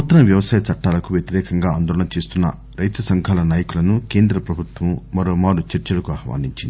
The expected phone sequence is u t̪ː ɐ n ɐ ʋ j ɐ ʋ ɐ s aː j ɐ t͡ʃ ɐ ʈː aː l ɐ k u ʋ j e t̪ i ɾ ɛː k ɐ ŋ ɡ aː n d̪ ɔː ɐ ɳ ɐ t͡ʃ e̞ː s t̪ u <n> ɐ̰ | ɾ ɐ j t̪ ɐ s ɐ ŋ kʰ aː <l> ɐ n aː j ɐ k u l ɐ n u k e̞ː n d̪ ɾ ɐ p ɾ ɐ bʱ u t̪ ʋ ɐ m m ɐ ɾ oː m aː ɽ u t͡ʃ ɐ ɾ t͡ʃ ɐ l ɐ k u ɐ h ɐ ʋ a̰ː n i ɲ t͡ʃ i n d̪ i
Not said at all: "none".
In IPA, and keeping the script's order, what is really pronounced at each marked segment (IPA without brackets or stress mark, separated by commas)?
nː, l